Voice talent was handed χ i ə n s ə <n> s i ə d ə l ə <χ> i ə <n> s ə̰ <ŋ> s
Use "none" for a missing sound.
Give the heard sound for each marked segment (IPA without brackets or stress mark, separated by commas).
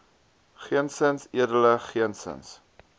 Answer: n, χ, n, n